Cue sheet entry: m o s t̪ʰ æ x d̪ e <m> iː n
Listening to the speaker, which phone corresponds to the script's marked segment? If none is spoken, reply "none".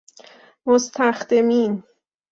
m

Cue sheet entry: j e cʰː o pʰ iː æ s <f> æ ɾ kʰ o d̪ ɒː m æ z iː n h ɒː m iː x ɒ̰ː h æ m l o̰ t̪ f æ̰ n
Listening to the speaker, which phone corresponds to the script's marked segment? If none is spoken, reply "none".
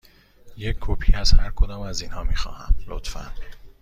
h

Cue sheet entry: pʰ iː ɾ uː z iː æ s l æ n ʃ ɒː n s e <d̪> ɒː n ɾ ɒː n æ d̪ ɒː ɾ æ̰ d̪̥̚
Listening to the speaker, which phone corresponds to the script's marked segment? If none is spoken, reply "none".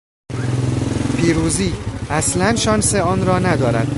none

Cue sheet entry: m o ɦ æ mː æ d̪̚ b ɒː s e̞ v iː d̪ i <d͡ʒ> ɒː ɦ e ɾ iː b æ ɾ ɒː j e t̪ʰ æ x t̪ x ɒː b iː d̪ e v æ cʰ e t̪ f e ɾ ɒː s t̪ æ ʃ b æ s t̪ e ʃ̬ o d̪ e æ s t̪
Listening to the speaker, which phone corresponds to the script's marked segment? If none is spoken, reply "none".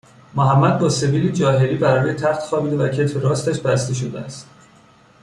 d͡ʒ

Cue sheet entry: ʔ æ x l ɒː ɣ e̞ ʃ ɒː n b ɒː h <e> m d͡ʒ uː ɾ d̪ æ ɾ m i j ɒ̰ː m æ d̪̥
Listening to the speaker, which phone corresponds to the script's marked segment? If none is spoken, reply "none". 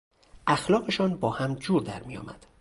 æ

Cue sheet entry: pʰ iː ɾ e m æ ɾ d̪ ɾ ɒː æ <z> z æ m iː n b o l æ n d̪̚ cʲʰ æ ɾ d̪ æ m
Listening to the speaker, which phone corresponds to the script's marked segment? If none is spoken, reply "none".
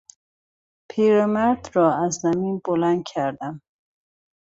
z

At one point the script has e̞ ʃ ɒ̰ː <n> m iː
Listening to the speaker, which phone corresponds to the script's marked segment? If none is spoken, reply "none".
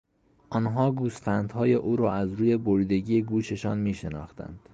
n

